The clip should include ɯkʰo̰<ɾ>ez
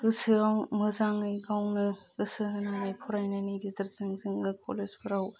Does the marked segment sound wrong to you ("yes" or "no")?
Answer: yes